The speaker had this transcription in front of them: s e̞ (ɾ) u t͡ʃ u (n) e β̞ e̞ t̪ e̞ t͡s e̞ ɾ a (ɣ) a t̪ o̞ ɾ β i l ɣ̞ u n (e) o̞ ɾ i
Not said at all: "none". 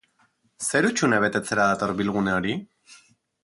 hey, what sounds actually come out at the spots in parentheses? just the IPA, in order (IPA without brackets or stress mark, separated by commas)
ɾ, n, ð, e